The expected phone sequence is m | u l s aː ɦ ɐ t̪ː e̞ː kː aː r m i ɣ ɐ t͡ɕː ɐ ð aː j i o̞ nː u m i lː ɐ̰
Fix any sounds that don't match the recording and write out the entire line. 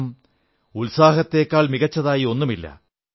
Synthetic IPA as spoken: m | u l s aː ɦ ɐ t̪ː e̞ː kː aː ɭ m i ɣ ɐ t͡ɕː ɐ ð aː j i o̞ nː u m i lː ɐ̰